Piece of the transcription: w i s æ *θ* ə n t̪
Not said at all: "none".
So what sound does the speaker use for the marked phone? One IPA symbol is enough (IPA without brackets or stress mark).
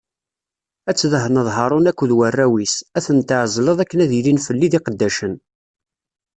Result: θ